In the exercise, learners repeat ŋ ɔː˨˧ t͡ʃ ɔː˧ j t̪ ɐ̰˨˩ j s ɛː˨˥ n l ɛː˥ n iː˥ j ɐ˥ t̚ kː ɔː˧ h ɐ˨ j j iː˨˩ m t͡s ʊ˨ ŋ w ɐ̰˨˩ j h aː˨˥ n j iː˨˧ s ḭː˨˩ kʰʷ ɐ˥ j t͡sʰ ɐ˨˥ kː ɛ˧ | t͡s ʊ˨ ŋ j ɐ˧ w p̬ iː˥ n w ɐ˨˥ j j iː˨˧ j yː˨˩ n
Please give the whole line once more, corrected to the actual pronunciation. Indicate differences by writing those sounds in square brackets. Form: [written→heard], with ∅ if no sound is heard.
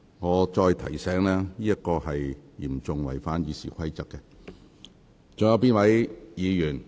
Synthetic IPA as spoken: ŋ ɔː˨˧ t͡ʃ ɔː˧ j [t̪→t̪ʰ] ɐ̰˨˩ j s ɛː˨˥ [n→ŋ] l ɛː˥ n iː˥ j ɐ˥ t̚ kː ɔː˧ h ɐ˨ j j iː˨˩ m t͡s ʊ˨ ŋ w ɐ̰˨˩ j [h→f] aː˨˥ n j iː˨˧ s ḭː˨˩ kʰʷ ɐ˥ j [t͡sʰ→t͡s] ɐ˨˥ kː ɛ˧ | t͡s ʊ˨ ŋ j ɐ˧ w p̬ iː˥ n w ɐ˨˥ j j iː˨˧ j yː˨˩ n